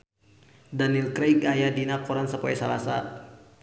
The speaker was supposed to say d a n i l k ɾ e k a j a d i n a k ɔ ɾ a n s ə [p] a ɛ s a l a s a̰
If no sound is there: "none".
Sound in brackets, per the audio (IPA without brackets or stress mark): p